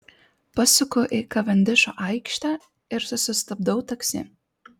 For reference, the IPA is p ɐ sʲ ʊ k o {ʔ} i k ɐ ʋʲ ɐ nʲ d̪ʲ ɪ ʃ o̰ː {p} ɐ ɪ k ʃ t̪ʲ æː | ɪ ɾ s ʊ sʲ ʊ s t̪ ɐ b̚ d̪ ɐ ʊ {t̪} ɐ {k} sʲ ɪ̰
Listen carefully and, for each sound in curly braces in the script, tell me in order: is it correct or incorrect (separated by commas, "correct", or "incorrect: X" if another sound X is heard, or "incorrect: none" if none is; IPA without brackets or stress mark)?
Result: correct, incorrect: ʔ, correct, correct